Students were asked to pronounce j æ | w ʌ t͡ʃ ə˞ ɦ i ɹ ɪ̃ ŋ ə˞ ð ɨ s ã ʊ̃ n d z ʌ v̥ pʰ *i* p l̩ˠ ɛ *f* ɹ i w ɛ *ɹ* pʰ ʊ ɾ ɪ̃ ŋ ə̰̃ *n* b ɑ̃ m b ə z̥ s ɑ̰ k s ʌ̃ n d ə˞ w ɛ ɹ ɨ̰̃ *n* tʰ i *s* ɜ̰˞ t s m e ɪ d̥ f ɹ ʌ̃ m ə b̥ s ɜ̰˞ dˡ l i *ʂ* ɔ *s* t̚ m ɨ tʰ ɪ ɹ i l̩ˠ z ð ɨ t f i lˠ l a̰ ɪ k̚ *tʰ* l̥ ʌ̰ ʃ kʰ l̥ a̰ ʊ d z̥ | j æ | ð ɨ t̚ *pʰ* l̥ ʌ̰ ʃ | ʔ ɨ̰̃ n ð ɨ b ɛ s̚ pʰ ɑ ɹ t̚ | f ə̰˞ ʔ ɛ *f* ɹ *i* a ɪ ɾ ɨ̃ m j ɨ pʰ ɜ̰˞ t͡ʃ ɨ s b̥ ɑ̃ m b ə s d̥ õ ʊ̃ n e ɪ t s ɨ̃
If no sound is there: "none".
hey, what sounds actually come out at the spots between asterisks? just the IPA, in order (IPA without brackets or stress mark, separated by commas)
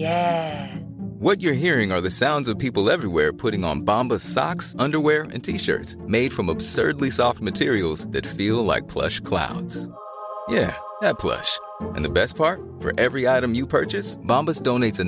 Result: i, v, ɹ, n, n, ʃ, s, f, pʰ, pʰ, v, i